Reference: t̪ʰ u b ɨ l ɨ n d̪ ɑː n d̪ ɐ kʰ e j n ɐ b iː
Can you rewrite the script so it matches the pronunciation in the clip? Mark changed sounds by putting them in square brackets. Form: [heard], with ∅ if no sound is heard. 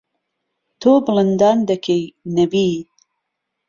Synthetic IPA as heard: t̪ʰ [o] b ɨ l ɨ n d̪ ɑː n d̪ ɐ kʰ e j n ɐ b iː